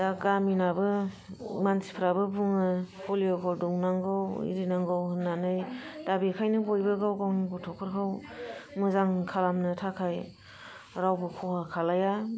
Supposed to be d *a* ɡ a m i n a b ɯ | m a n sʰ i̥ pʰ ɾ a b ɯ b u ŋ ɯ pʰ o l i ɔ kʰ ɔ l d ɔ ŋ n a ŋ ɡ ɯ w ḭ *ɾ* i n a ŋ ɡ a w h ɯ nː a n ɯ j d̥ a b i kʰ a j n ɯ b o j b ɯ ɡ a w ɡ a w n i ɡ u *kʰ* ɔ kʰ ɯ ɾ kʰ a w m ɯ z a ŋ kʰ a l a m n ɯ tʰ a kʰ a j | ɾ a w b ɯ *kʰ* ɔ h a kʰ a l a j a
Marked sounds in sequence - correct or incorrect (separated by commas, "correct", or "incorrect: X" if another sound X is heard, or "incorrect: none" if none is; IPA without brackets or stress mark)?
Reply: correct, correct, incorrect: tʰ, correct